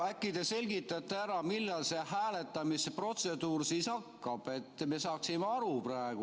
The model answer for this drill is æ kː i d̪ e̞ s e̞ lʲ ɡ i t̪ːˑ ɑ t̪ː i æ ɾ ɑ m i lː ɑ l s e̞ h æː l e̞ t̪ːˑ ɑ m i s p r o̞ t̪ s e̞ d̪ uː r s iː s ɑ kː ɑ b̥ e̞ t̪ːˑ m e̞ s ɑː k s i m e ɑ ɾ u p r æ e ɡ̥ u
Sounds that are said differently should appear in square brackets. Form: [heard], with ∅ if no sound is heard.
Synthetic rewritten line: æ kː i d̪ e̞ s e̞ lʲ ɡ i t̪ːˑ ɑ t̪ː [e] æ ɾ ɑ m i lː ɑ l s e̞ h æː l e̞ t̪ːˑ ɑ m i s p r o̞ t̪ s e̞ d̪ uː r s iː s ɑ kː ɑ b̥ e̞ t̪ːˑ m e̞ s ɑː k s i m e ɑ ɾ u p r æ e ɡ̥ u